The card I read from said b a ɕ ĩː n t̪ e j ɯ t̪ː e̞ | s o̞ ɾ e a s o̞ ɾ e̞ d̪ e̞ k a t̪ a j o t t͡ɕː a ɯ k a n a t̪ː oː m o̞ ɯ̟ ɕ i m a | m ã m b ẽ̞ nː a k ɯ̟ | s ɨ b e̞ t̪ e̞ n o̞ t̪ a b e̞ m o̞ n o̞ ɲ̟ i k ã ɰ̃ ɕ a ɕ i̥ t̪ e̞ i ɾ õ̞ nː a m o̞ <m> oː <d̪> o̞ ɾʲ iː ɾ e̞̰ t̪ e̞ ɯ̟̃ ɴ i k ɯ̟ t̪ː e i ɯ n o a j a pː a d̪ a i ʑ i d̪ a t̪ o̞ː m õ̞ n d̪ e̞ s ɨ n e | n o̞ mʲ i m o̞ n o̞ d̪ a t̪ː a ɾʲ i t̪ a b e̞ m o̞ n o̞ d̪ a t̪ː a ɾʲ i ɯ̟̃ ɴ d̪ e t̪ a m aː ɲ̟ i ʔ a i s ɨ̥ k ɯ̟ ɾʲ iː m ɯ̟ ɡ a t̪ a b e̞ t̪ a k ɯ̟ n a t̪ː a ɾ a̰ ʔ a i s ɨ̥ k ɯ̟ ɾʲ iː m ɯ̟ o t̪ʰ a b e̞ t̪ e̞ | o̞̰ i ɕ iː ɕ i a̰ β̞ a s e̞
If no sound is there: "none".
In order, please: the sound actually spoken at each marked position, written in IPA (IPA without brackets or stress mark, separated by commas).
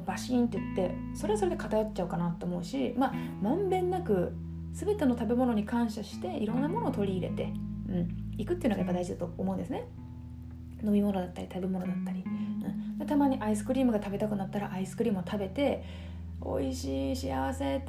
n, t̪